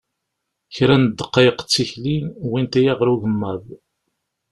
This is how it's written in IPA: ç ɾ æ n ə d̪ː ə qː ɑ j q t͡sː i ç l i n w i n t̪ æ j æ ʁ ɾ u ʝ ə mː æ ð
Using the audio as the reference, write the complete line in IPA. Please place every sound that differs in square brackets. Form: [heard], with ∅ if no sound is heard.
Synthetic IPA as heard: ç ɾ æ n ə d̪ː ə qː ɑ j q t͡sː i ç l i n w i n t̪ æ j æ ʁ ɾ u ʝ ə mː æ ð

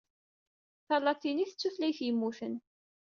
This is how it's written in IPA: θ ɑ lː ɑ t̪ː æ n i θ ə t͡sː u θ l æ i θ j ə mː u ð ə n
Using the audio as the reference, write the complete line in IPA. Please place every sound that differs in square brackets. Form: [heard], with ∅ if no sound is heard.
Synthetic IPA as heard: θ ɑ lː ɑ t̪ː [i] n i θ ə t͡sː u θ l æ [j] θ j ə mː u [θ] ə n

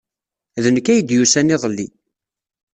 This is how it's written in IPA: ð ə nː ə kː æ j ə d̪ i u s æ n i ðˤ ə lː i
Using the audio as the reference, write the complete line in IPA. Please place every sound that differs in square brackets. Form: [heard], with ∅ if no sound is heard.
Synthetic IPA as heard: ð ə [n] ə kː æ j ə d̪ [j] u s æ n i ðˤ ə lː i

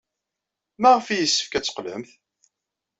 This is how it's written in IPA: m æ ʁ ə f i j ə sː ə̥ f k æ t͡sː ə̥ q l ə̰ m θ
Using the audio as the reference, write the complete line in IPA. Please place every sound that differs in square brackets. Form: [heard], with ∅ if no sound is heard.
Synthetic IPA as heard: m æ ʁ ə f i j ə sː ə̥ f k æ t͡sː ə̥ q l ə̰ m θ

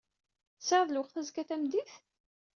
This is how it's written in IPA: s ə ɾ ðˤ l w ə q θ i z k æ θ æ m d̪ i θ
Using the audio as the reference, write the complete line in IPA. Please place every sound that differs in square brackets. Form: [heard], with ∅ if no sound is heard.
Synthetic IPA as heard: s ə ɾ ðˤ l w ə q θ [æ] z k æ θ æ m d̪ i θ

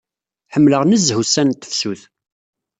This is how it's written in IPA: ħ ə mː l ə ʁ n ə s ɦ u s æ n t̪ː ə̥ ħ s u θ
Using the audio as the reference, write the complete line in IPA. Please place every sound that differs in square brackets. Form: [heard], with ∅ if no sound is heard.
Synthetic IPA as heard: ħ ə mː l ə ʁ n ə [z] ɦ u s æ n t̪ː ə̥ [f] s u θ

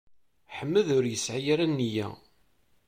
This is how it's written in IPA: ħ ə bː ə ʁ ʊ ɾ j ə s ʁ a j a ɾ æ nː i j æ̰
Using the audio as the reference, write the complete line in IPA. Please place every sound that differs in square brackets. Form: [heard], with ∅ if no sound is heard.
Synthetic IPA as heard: ħ ə [mː] ə [ð] ʊ ɾ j ə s [ʕ] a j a ɾ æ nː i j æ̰

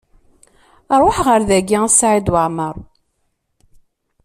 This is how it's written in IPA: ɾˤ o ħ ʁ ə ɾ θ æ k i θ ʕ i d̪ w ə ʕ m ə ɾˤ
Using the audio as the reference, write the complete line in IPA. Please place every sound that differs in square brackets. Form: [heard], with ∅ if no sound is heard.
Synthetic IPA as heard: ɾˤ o ħ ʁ ə ɾ [ð] æ [ɡ] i [s] ʕ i d̪ w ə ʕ m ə ɾˤ

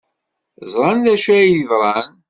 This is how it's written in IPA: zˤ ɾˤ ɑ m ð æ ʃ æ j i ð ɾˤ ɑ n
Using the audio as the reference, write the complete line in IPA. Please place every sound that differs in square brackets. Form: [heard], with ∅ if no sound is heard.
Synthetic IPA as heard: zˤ ɾˤ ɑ [n] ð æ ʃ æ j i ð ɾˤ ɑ n

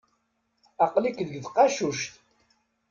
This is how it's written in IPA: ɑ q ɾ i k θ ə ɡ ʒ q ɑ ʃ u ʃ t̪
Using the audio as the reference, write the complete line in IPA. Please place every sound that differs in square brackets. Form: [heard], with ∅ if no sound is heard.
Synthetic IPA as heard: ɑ q [l] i k [ð] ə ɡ [ð] q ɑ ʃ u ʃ t̪

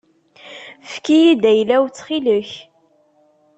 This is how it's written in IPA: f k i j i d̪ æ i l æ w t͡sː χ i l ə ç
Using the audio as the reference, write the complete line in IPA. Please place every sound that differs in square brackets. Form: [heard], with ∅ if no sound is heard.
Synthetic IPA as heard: f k i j i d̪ æ [j] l æ w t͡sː χ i l ə ç

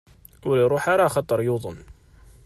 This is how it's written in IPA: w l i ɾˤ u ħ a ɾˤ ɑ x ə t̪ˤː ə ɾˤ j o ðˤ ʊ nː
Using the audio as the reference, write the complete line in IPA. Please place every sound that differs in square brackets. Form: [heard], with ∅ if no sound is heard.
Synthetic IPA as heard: w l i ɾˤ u ħ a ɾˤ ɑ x [ɑ] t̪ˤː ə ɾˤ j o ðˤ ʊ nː

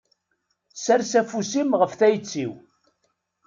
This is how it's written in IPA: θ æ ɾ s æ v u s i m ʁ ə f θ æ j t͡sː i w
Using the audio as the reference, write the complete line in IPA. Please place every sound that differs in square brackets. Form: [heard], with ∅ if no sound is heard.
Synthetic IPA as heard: [s] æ ɾ s æ [f] u s i m ʁ ə f θ æ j t͡sː i w

